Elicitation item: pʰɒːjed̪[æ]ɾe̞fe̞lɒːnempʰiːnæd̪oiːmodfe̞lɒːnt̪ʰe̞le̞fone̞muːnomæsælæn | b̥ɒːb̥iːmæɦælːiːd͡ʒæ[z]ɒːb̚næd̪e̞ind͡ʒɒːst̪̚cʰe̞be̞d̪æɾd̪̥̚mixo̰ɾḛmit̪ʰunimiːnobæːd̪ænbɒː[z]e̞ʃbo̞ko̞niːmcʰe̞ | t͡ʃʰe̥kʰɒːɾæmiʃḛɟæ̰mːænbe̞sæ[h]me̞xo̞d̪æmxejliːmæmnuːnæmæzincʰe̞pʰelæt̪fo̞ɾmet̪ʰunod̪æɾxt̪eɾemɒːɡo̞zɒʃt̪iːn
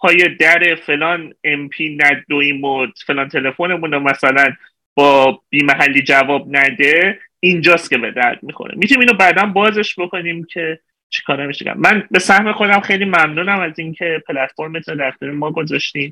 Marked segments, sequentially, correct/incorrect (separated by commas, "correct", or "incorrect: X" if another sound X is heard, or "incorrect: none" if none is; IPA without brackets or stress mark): correct, incorrect: v, correct, correct